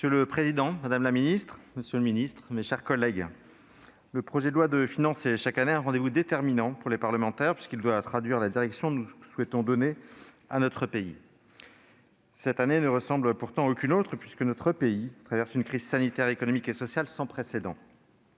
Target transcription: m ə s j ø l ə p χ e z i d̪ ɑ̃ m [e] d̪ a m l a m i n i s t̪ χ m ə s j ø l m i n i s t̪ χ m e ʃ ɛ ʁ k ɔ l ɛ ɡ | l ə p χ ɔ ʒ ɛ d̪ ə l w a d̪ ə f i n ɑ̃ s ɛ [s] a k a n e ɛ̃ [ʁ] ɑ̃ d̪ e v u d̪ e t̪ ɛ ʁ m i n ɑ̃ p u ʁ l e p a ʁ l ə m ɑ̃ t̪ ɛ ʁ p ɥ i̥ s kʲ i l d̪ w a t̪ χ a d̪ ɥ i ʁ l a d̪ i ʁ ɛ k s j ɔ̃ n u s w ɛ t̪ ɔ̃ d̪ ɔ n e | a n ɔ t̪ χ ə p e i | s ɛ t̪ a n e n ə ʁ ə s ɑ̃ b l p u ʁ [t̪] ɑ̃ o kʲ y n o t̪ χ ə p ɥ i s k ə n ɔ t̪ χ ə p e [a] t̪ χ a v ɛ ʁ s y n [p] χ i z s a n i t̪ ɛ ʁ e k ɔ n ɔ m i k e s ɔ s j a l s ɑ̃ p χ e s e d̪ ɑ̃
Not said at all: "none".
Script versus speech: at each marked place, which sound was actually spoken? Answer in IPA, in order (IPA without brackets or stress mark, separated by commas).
a, ʃ, ʁ, t̪, i, k